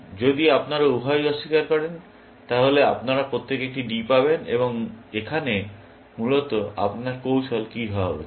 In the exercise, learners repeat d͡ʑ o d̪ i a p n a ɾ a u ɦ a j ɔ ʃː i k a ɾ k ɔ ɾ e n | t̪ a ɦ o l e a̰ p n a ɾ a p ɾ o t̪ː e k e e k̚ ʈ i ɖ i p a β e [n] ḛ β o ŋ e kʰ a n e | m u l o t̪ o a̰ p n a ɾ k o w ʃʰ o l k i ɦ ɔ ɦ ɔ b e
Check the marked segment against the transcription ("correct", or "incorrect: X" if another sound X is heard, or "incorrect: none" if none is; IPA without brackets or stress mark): correct